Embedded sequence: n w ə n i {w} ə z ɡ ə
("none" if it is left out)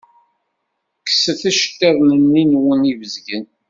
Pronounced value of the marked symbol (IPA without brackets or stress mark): v